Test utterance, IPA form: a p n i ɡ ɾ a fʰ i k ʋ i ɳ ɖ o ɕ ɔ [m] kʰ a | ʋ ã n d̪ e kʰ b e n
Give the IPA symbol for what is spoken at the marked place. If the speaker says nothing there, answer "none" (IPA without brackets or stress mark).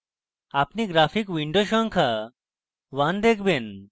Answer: ŋ